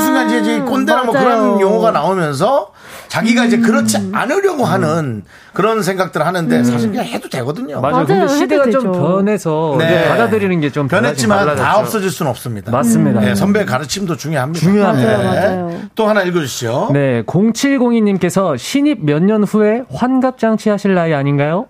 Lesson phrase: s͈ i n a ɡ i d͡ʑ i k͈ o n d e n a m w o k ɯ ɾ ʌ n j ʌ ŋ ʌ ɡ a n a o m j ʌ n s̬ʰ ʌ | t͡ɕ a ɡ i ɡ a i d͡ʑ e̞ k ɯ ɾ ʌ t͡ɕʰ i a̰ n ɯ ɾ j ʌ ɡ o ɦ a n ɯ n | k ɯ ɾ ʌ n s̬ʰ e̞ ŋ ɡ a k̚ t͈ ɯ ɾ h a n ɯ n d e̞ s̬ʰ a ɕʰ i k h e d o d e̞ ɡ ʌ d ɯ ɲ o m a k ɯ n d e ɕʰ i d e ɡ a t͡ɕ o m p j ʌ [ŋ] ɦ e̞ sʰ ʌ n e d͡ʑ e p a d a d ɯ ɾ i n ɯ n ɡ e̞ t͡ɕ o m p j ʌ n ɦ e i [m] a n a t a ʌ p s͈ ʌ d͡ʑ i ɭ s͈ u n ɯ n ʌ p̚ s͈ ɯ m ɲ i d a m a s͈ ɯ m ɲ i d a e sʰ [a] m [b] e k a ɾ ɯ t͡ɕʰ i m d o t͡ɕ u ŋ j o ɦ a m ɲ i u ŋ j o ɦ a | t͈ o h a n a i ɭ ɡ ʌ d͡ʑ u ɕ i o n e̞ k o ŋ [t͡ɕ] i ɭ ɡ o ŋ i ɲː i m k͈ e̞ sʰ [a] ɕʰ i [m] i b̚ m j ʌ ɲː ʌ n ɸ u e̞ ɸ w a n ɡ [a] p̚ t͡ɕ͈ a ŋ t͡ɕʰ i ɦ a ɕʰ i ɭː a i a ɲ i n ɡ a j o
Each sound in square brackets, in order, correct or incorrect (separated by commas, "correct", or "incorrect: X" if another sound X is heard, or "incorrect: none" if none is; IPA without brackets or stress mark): incorrect: n, correct, incorrect: ʌ, correct, incorrect: t͡ɕʰ, incorrect: ʌ, incorrect: ɲ, correct